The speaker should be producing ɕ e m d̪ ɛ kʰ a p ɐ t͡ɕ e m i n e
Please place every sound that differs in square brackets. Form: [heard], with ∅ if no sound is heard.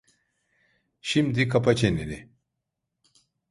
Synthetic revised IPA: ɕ [i] m d̪ [i] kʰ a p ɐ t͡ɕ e [n] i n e